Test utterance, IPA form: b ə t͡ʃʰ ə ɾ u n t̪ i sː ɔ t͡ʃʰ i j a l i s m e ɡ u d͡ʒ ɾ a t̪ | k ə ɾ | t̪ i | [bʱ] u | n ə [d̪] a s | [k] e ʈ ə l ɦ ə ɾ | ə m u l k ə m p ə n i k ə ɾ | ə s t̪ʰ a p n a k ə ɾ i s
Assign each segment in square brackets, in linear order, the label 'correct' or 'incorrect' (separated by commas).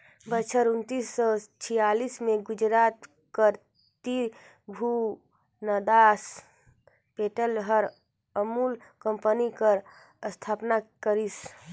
correct, correct, incorrect